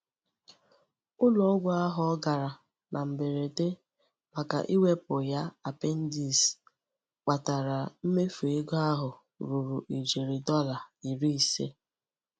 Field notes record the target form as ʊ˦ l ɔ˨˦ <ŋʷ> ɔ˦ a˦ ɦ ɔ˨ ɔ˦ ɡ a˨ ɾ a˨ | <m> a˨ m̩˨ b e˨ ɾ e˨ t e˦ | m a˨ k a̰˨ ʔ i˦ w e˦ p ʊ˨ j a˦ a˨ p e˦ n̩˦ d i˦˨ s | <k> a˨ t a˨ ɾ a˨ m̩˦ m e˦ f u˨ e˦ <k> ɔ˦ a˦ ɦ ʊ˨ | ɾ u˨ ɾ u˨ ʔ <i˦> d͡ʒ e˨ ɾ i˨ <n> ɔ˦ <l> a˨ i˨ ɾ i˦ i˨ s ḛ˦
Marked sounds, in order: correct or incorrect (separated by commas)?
incorrect, incorrect, incorrect, incorrect, incorrect, incorrect, correct